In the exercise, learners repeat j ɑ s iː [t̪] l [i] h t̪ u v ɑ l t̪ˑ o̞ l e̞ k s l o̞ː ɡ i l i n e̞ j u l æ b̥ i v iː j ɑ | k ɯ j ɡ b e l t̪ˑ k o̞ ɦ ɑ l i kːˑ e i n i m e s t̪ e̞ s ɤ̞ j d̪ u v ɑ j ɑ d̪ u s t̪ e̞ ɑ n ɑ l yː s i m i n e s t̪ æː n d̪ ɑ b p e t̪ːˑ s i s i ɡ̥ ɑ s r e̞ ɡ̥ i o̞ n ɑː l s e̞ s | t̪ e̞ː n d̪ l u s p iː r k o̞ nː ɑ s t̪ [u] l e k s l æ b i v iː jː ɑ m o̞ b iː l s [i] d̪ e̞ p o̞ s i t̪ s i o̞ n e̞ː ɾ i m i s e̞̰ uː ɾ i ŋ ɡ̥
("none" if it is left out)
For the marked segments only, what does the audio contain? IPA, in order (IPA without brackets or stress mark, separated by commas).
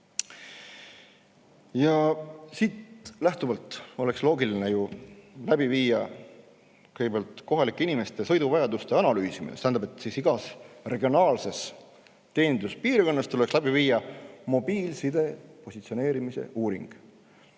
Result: t̪, æ, u, i